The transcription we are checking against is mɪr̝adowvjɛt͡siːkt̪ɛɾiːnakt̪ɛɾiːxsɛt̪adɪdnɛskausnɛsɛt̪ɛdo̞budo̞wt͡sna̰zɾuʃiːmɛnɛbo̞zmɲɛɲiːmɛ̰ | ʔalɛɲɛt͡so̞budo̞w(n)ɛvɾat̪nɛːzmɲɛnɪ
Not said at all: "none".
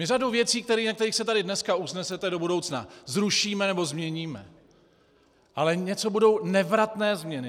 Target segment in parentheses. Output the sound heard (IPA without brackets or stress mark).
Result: n